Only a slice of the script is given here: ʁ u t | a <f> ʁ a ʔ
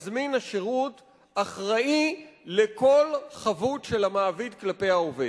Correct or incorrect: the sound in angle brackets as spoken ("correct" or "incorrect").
incorrect